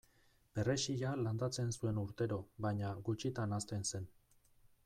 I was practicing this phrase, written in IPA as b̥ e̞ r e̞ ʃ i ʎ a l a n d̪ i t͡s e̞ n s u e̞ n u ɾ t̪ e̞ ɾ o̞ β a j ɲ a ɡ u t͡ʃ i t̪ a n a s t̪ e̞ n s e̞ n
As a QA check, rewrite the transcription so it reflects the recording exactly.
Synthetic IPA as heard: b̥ e̞ r e̞ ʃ i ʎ a l a n d̪ a t͡s e̞ n s u e̞ n u ɾ t̪ e̞ ɾ o̞ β a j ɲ a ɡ u t͡ʃ i t̪ a n a s t̪ e̞ n s e̞ n